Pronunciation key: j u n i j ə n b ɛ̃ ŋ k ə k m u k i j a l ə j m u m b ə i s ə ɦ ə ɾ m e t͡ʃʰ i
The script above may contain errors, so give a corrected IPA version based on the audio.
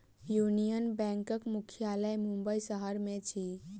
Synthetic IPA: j u n i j ə n b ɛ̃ ŋ k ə k m u kʰ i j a l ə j m u m b ə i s ə ɦ ə ɾ m e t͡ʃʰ i